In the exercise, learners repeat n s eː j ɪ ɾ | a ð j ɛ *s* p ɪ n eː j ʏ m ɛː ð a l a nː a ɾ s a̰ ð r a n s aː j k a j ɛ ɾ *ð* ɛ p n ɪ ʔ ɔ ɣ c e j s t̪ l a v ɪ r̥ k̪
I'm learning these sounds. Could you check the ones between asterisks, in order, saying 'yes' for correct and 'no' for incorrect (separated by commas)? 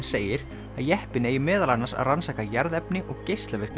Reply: no, yes